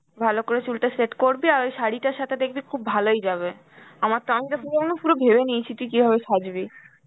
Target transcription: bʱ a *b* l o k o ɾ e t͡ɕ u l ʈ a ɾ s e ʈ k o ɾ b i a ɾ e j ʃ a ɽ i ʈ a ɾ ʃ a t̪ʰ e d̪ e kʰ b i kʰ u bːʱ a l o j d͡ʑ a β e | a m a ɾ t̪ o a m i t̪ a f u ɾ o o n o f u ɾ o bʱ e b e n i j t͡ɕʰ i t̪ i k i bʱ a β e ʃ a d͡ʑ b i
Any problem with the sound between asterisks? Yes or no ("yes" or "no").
yes